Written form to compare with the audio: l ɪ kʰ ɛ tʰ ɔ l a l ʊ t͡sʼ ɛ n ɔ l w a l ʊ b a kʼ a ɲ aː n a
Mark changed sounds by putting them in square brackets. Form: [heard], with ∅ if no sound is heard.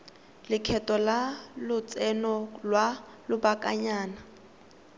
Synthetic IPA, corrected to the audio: l ɪ kʰ ɛ [t] ɔ l a l ʊ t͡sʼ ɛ n ɔ l w a l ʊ b a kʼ a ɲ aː n a